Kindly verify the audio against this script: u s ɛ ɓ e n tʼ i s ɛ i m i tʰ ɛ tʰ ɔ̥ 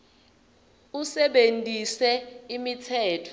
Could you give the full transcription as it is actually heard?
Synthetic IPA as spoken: u s ɛ ɓ e n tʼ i s ɛ i m i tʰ ɛː tʰ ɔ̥